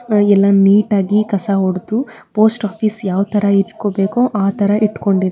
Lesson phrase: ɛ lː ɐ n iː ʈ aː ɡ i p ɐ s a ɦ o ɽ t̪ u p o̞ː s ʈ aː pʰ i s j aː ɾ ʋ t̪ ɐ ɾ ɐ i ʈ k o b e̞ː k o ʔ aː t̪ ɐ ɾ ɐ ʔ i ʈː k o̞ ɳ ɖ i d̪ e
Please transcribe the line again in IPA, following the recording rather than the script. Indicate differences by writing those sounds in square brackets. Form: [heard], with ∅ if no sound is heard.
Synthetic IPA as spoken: ɛ lː ɐ n iː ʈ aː ɡ i [k] ɐ s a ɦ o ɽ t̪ u p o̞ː s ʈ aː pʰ i s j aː [∅] ʋ t̪ ɐ ɾ ɐ i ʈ k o b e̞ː k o ʔ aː t̪ ɐ ɾ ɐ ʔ i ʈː k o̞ ɳ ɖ i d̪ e